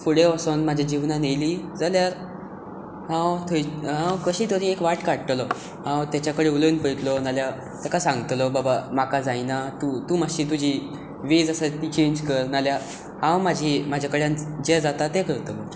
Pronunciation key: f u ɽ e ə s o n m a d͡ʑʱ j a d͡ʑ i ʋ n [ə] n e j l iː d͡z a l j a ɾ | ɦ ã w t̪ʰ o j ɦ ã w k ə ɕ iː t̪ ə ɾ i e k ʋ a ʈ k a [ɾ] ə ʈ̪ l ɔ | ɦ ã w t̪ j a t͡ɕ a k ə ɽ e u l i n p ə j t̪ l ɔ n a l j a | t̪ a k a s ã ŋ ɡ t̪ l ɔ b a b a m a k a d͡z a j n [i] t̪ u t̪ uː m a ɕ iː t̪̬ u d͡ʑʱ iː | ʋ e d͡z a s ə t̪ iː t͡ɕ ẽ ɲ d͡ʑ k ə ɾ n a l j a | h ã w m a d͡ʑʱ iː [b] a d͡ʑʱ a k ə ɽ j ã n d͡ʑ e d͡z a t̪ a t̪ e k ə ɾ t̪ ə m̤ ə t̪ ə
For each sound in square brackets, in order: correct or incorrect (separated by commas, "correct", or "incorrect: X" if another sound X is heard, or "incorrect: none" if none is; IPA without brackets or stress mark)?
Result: incorrect: a, incorrect: ɽ, incorrect: a, incorrect: m